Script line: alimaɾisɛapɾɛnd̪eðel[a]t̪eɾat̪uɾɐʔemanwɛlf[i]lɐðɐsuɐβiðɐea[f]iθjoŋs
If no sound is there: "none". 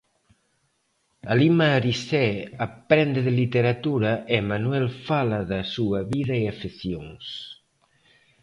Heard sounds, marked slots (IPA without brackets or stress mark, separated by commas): i, a, f